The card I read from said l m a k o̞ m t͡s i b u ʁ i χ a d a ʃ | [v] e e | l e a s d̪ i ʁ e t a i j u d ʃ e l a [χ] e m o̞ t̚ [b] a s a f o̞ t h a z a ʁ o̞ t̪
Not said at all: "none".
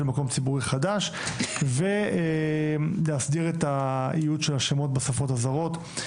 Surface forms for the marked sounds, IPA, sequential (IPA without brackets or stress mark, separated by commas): v, ʃ, b